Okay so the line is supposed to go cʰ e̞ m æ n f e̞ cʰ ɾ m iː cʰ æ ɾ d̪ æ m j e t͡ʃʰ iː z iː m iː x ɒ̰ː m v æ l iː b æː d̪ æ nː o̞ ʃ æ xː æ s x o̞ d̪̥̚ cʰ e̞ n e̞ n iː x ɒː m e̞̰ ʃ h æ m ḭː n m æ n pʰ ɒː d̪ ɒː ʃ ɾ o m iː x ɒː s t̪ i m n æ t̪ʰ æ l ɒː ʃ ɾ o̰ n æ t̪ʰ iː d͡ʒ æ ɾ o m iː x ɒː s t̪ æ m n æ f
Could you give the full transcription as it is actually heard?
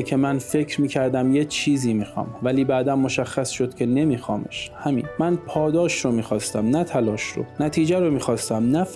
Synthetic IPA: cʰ e̞ m æ n f e̞ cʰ ɾ m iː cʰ æ ɾ d̪ æ m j e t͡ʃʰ iː z iː m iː x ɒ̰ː m v æ l iː b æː d̪ æ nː o̞ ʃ æ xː æ s ʃ o̞ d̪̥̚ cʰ e̞ n e̞ m iː x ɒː m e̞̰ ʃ h æ m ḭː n m æ n pʰ ɒː d̪ ɒː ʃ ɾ o m iː x ɒː s t̪ æ m n æ t̪ʰ æ l ɒː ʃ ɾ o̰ n æ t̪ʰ iː d͡ʒ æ ɾ o m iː x ɒː s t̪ æ m n æ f